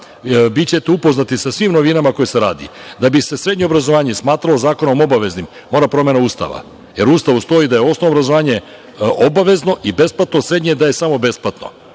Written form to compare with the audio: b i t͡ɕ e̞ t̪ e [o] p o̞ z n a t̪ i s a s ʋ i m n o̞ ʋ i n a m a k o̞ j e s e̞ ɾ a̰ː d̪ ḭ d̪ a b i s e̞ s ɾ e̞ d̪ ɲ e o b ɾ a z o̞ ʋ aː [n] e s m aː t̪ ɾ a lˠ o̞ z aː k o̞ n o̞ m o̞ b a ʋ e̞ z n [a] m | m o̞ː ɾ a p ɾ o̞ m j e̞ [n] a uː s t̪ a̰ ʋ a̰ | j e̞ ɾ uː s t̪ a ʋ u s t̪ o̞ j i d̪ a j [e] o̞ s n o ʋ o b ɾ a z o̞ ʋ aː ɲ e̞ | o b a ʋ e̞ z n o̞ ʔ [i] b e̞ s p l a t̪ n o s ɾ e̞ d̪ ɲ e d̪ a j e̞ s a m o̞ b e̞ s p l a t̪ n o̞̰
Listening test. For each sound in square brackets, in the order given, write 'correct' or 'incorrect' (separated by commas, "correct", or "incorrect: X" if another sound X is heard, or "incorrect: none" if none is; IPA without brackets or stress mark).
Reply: incorrect: u, incorrect: ɲ, incorrect: i, correct, correct, correct